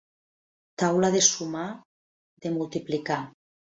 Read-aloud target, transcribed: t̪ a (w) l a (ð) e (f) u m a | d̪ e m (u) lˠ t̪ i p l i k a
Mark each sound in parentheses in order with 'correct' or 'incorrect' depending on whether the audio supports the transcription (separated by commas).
correct, correct, incorrect, correct